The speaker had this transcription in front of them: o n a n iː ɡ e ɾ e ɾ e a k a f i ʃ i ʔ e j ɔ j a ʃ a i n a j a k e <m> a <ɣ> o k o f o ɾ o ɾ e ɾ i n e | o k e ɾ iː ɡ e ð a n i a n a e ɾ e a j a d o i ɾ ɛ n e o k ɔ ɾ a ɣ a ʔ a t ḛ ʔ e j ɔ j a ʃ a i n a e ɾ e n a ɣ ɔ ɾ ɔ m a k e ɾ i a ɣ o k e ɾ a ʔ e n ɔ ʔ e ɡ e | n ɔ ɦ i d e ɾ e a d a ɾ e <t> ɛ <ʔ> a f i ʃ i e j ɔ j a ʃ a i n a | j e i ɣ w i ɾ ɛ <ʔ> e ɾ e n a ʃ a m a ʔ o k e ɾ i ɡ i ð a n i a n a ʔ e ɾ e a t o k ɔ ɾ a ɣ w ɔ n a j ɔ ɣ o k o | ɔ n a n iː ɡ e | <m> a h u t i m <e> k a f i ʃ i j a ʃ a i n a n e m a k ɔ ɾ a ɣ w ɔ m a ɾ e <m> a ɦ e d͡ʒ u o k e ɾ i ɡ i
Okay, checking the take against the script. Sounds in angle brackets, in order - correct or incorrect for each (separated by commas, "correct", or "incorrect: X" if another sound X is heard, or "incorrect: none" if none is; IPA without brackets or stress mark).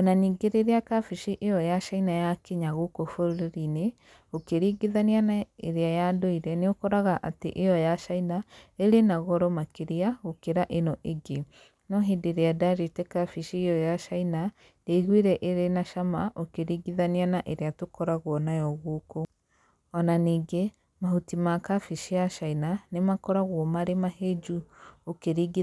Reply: incorrect: ɲ, correct, correct, incorrect: k, correct, correct, incorrect: a, correct